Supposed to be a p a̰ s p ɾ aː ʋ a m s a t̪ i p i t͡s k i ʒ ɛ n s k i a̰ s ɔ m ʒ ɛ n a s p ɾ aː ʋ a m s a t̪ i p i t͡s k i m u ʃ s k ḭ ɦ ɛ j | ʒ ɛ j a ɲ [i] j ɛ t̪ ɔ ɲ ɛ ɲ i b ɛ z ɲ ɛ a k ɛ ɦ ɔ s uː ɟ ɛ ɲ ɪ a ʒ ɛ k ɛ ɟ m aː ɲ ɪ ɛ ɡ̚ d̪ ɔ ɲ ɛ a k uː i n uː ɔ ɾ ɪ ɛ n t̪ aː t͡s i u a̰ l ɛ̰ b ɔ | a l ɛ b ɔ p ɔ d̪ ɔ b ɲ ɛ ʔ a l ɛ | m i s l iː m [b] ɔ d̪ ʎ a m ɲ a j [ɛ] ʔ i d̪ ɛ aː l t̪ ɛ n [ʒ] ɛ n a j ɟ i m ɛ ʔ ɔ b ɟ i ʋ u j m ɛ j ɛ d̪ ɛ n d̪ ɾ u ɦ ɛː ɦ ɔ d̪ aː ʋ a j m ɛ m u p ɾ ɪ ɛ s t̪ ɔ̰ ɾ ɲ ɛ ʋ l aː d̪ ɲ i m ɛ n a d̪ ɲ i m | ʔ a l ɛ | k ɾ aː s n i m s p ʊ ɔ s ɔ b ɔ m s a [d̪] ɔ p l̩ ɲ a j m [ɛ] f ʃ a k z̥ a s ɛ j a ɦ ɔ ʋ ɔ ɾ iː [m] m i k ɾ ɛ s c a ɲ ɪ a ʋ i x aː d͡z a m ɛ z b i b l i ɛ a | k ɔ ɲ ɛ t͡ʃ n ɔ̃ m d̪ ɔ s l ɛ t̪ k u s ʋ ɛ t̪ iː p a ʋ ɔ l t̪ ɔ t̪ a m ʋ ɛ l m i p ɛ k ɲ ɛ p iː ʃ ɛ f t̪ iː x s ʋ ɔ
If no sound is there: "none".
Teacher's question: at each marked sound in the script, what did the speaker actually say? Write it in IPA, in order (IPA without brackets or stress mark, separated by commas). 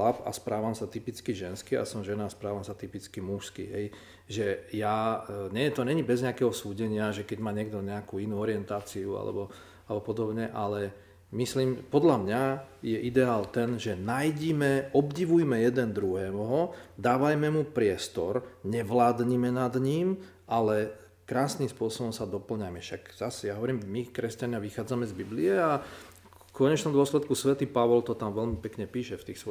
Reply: ɛ, p, ɛ, ʒ, d̪, ɛ, m